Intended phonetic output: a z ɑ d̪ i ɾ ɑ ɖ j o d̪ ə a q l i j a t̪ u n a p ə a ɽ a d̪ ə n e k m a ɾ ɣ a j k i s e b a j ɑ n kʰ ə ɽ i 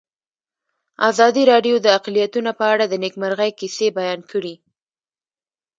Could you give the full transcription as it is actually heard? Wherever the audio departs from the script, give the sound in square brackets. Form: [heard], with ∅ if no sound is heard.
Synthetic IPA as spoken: a z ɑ d̪ i ɾ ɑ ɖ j o d̪ ə a q l i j a t̪ u n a p ə a ɽ a d̪ ə n e k m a ɾ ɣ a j k i s e b a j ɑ n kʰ ə ɽ i